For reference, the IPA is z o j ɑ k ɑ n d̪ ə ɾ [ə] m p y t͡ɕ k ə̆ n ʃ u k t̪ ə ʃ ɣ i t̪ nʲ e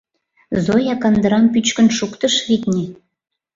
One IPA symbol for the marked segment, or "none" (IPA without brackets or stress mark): ɑ